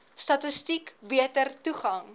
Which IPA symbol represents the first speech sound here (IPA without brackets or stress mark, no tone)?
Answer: s